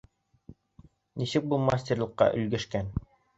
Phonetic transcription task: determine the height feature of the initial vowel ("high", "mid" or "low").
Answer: high